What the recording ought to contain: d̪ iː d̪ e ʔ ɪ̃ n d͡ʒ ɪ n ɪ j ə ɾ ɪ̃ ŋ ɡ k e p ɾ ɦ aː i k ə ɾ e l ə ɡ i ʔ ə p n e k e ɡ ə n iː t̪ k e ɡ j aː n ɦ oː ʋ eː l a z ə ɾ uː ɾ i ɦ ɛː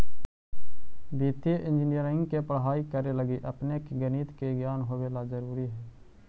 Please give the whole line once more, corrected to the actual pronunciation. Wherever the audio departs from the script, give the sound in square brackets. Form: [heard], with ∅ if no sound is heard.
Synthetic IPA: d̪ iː [t̪] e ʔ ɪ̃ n d͡ʒ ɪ n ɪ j ə ɾ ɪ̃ ŋ ɡ k e p ɾ ɦ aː i k ə ɾ e l ə ɡ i ʔ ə p n e k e ɡ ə n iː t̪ k e ɡ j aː n ɦ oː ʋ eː l a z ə ɾ uː ɾ i ɦ ɛː